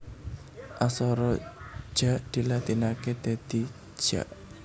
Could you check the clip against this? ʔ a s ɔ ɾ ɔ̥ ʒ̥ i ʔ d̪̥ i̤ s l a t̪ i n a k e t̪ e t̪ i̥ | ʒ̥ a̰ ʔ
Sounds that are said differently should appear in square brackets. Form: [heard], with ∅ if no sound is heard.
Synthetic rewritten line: ʔ a s ɔ ɾ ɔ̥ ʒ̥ [a] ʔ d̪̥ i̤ [∅] l a t̪ i n a k e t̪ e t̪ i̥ | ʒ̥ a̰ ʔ